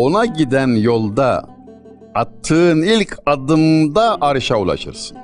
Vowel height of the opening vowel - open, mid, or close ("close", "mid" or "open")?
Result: mid